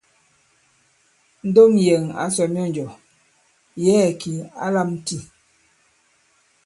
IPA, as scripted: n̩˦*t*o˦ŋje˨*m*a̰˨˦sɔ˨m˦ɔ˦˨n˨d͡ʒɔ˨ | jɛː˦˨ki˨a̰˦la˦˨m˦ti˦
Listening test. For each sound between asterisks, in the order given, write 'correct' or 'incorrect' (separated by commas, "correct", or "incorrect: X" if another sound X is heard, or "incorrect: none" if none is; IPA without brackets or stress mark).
incorrect: d, incorrect: ŋ